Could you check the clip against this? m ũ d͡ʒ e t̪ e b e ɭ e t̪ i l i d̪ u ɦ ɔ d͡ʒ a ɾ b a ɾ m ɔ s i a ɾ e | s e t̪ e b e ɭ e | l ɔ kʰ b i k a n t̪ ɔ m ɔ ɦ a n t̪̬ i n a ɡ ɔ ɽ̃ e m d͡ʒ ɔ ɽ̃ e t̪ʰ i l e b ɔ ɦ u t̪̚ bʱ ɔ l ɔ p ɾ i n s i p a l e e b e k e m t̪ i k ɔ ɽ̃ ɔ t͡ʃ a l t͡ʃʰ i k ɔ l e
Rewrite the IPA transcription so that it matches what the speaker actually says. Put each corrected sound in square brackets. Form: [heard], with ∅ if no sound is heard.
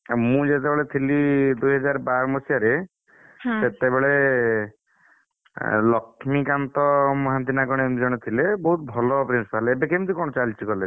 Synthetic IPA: m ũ d͡ʒ e t̪ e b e ɭ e [t̪ʰ] i l i d̪ u ɦ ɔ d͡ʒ a ɾ b a ɾ m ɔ s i a ɾ e | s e t̪ e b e ɭ e | l ɔ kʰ [m] i k a n t̪ ɔ m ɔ ɦ a n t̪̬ i n a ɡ ɔ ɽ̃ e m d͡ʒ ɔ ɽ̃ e t̪ʰ i l e b ɔ ɦ u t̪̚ bʱ ɔ l ɔ p ɾ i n s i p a l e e b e k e m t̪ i k ɔ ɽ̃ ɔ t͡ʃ a l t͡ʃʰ i k ɔ l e